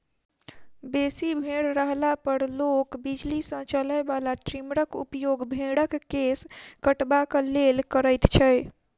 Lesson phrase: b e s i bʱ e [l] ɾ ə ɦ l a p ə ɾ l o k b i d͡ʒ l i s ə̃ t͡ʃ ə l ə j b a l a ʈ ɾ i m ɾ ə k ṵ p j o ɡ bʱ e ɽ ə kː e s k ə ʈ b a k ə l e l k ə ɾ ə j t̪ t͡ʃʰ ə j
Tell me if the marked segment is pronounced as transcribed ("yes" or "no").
no